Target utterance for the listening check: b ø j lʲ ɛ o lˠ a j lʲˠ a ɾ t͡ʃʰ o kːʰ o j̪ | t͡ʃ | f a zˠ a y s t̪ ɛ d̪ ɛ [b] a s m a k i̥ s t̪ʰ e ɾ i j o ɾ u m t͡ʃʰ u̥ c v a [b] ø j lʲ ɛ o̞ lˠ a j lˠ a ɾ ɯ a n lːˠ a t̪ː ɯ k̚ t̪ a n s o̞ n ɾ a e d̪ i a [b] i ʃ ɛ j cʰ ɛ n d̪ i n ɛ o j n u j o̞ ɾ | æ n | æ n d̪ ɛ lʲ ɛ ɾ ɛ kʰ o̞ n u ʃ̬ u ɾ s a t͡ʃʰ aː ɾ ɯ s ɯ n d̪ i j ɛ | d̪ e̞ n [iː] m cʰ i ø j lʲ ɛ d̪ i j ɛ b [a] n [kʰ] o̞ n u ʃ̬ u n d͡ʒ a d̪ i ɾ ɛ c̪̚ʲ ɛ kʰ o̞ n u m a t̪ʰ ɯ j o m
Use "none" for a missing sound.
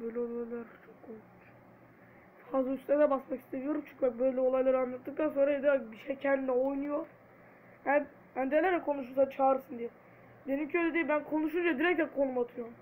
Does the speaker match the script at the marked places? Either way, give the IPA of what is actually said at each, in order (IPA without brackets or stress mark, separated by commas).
b, b, b, i, æ, kʰ